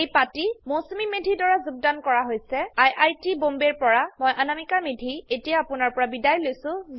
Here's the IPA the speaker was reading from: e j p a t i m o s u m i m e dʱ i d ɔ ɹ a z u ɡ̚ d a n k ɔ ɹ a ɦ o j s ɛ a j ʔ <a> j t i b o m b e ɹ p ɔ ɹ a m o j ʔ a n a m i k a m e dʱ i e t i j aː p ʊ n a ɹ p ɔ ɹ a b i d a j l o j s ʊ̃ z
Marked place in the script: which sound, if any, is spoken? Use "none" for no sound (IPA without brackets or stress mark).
a